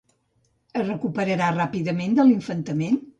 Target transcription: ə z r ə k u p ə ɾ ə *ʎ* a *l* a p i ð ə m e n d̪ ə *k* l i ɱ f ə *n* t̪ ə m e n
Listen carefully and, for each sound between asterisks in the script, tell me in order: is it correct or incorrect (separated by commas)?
incorrect, incorrect, incorrect, correct